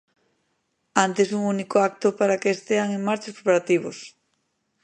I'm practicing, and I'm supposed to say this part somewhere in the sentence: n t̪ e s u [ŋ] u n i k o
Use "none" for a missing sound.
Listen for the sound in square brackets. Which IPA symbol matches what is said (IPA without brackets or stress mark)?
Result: ŋ